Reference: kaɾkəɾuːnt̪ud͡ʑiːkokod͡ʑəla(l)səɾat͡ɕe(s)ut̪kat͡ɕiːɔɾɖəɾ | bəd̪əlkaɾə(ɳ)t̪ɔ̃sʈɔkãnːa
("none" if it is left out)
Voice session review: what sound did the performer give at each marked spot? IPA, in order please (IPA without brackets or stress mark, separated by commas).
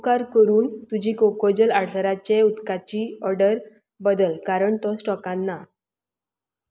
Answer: ɽ, none, ɳ